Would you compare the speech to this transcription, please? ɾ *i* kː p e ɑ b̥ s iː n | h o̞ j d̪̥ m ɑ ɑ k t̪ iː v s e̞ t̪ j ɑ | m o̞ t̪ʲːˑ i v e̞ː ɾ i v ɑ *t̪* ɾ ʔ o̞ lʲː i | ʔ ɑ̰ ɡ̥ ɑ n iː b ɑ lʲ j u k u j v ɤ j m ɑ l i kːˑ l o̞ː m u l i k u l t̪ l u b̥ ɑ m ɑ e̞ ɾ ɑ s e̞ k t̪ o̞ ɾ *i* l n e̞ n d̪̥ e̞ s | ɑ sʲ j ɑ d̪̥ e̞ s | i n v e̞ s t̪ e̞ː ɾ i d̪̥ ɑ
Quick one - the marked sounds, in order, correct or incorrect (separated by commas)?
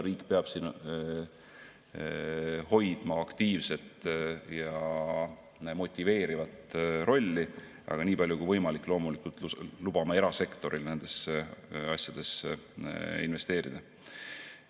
incorrect, correct, correct